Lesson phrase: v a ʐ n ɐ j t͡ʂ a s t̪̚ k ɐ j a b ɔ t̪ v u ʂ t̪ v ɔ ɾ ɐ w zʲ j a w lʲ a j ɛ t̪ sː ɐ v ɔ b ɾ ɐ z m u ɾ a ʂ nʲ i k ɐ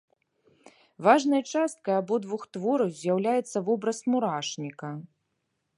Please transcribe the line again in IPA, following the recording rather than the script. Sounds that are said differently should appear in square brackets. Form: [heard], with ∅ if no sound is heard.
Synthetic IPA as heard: v a ʐ n ɐ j t͡ʂ a s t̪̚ k ɐ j a b ɔ [d̪] v u [x] t̪ v ɔ ɾ ɐ w zʲ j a w lʲ a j ɛ t̪ sː ɐ v ɔ b ɾ ɐ [s] m u ɾ a ʂ nʲ i k ɐ

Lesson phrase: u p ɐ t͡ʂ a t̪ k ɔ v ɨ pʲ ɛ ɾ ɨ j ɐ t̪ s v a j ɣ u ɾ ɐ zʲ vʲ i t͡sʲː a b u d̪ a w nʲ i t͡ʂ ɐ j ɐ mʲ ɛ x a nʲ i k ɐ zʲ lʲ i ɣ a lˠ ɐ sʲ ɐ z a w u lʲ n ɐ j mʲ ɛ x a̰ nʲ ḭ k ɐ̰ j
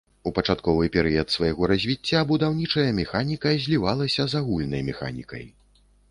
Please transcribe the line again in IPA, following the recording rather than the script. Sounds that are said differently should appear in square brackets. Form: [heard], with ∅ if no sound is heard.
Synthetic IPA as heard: u p ɐ t͡ʂ a t̪ k ɔ v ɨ pʲ ɛ ɾ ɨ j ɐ t̪ s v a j ɣ [ɔ] ɾ ɐ zʲ vʲ i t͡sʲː a b u d̪ a w nʲ i t͡ʂ ɐ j ɐ mʲ ɛ x a nʲ i k ɐ zʲ lʲ i [v] a lˠ ɐ sʲ ɐ z a [ɣ] u lʲ n ɐ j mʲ ɛ x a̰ nʲ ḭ k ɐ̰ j

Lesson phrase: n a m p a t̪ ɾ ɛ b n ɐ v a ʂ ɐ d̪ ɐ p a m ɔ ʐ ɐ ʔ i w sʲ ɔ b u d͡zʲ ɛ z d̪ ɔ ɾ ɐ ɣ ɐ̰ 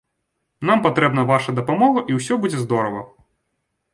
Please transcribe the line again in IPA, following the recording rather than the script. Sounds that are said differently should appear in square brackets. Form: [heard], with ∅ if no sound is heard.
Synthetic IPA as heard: n a m p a t̪ ɾ ɛ b n ɐ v a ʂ ɐ d̪ ɐ p a m ɔ [ɣ] ɐ ʔ i w sʲ ɔ b u d͡zʲ ɛ z d̪ ɔ ɾ ɐ [v] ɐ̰

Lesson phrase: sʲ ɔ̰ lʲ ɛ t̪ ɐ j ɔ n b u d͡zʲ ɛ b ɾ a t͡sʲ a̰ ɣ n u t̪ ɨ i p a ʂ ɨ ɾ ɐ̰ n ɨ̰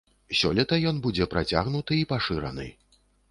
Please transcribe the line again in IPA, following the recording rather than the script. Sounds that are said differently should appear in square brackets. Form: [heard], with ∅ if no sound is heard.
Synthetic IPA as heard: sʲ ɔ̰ lʲ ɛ t̪ ɐ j ɔ n b u d͡zʲ ɛ [p] ɾ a t͡sʲ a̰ ɣ n u t̪ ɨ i p a ʂ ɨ ɾ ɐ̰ n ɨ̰

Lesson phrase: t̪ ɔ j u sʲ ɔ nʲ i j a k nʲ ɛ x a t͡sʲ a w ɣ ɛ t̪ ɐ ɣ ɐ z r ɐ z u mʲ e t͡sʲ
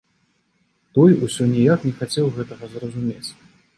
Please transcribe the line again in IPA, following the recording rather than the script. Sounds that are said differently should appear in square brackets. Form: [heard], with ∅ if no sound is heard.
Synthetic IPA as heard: t̪ ɔ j u sʲ ɔ nʲ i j a k nʲ ɛ x a t͡sʲ [ɛ] w ɣ ɛ t̪ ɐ ɣ ɐ z r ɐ z u mʲ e t͡sʲ

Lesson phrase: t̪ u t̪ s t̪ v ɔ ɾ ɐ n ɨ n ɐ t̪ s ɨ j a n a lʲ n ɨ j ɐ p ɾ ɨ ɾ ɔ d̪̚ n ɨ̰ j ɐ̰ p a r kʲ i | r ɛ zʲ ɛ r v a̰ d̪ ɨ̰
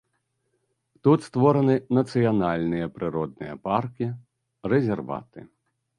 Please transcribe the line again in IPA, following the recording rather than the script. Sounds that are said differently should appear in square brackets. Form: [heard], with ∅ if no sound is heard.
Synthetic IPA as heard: t̪ u t̪ s t̪ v ɔ ɾ ɐ n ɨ n ɐ t̪ s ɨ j a n a lʲ n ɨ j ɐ p ɾ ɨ ɾ ɔ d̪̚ n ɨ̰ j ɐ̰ p a r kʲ i | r ɛ zʲ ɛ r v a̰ [t̪] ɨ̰

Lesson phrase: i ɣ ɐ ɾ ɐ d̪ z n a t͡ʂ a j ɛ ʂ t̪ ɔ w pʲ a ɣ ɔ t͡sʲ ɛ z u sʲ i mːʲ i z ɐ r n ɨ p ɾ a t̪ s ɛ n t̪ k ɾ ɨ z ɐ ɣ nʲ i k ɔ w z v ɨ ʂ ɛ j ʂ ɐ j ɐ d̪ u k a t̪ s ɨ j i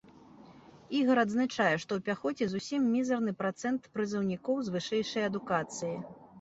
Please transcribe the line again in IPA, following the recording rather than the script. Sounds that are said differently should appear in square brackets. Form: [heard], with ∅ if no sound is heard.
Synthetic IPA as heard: i ɣ ɐ ɾ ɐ d̪ z n a t͡ʂ a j ɛ ʂ t̪ ɔ w pʲ a [x] ɔ t͡sʲ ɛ z u sʲ i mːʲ i z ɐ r n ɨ p ɾ a t̪ s ɛ n t̪ [p] ɾ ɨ z ɐ [w] nʲ i k ɔ w z v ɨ ʂ ɛ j ʂ ɐ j ɐ d̪ u k a t̪ s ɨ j i

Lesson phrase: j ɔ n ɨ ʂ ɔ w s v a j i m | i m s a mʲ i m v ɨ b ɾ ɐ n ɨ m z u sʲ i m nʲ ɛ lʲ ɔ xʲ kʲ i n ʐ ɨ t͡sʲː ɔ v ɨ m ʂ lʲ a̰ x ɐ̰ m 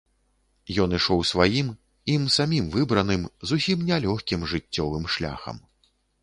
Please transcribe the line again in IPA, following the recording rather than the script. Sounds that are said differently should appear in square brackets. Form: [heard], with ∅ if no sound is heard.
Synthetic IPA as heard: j ɔ n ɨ ʂ ɔ w s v a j i m | i m s a mʲ i m v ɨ b ɾ ɐ n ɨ m z u sʲ i m nʲ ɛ lʲ ɔ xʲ kʲ i [m] ʐ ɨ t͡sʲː ɔ v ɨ m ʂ lʲ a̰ x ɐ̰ m

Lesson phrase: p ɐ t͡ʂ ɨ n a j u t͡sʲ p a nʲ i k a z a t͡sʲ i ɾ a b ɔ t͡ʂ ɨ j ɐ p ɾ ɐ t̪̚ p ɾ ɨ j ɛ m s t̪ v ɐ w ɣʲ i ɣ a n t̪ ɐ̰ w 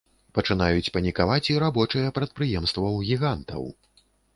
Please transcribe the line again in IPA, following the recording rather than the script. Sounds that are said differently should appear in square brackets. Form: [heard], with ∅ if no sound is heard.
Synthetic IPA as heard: p ɐ t͡ʂ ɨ n a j u t͡sʲ p [ɐ] nʲ i k a [v] a t͡sʲ i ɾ a b ɔ t͡ʂ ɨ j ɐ p ɾ ɐ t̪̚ p ɾ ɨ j ɛ m s t̪ v ɐ w ɣʲ i ɣ a n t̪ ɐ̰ w

